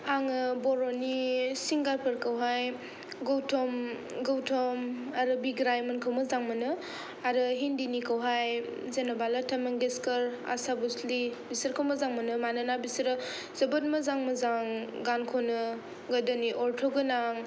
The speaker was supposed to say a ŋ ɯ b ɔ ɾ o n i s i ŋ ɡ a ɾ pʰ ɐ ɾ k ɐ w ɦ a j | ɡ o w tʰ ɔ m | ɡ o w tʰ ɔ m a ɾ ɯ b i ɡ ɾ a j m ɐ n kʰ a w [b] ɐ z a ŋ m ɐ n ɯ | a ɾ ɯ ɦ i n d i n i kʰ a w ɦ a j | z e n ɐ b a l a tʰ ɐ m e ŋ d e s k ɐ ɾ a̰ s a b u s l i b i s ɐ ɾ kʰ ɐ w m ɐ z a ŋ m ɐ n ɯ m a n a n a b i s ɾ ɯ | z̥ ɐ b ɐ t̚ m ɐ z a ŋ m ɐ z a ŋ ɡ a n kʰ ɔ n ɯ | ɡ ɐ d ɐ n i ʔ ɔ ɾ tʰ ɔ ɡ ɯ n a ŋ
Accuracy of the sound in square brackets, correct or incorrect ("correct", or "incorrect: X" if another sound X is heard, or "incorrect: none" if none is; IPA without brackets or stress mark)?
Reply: incorrect: m